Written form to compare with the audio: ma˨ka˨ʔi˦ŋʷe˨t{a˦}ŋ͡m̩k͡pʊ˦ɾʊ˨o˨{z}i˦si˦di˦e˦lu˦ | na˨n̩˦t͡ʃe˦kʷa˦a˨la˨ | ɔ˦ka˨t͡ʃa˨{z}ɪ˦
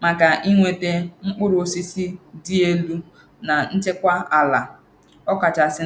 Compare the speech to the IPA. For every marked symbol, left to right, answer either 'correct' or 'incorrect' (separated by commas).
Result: incorrect, incorrect, incorrect